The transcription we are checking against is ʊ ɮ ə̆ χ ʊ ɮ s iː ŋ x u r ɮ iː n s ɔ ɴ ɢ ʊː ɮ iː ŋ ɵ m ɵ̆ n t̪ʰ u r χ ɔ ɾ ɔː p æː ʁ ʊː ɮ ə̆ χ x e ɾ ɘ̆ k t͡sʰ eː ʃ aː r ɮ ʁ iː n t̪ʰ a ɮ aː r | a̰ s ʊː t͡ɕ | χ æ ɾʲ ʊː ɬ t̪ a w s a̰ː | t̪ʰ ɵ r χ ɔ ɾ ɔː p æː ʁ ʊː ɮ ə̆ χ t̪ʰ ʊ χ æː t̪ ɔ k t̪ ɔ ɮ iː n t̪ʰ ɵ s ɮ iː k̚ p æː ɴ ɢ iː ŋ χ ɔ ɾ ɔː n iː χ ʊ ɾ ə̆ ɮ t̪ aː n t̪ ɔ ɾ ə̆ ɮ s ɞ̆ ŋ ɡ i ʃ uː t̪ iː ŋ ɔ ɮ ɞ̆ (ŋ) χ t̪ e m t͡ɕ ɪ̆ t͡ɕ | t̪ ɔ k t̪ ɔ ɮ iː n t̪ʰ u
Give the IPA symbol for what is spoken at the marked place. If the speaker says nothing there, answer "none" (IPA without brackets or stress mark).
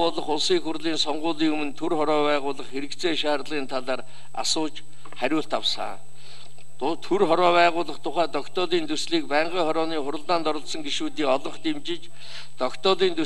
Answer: ɴ